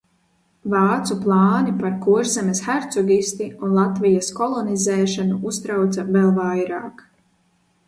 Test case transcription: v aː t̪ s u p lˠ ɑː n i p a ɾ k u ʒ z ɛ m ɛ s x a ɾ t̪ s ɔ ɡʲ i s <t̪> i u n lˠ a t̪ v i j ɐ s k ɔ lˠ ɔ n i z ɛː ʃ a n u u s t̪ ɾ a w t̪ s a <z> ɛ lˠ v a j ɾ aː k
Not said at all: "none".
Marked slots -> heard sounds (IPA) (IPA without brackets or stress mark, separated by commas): t̪, v